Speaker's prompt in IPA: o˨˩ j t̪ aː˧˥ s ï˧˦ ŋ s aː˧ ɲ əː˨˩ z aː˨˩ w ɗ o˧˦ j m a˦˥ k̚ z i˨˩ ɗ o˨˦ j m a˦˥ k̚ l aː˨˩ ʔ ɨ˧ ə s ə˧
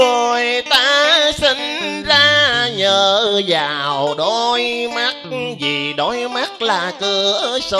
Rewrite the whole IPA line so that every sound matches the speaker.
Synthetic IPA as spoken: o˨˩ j t̪ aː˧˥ s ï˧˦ ŋ z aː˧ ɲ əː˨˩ z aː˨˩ w ɗ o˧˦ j m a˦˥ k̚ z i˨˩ ɗ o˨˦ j m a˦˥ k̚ l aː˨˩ k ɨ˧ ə s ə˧